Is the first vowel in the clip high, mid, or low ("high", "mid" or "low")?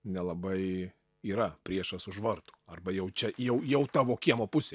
mid